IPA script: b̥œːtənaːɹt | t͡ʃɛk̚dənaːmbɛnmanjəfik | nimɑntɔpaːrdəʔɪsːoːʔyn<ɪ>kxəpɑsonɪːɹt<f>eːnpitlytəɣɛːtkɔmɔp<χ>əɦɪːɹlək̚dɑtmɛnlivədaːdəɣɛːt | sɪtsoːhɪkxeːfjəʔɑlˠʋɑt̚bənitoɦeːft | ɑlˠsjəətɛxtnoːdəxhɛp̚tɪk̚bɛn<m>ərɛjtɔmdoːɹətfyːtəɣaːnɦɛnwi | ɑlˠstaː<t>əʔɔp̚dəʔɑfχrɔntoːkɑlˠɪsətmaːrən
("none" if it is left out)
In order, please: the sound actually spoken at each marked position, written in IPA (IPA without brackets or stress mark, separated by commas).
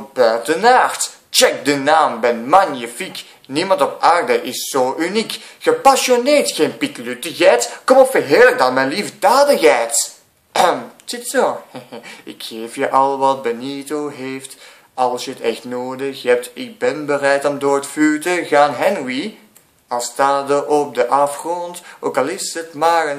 i, x, f, b, d